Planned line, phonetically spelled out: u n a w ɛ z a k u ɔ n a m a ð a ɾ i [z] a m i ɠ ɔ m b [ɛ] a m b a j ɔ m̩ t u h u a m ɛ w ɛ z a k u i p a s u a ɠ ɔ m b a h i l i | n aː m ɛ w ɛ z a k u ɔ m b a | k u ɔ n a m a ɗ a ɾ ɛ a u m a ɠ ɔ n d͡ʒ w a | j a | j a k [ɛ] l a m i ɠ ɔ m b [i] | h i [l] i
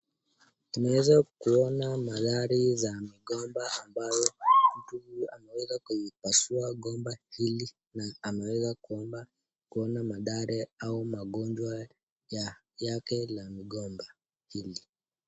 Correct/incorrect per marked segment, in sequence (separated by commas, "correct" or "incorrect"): correct, incorrect, correct, incorrect, correct